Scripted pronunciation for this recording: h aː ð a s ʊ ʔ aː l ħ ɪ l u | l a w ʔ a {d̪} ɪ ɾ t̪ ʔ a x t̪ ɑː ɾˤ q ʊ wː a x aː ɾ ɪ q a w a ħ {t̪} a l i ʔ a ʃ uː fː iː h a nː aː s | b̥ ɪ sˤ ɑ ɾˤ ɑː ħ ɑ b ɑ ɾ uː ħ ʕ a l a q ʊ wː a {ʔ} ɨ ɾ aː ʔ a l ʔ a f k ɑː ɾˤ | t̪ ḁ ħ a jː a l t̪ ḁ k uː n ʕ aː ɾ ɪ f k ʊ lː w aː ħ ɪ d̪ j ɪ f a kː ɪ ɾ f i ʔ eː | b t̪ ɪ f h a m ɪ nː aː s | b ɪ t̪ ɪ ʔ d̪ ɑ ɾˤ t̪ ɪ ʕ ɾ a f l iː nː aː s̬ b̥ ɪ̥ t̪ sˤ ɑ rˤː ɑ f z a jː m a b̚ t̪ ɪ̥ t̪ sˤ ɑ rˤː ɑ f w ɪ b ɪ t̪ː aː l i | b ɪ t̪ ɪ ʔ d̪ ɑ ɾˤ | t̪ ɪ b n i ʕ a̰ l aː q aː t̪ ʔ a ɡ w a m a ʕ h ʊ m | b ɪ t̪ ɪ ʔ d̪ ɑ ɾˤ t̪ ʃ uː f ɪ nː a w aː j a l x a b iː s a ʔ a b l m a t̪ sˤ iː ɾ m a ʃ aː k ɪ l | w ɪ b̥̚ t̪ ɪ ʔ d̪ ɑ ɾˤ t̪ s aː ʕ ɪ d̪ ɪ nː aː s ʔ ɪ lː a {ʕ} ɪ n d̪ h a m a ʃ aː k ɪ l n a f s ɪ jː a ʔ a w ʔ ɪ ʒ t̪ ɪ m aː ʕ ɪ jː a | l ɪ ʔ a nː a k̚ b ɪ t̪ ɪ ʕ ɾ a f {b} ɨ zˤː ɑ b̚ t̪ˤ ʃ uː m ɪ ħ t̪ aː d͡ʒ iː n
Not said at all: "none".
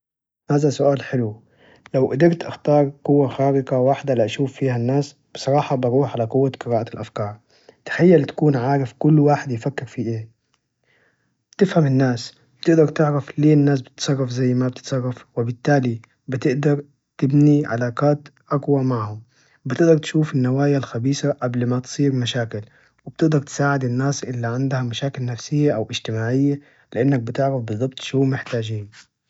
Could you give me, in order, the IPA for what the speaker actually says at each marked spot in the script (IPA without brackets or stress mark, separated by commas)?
d̪, d̪, q, ʕ, b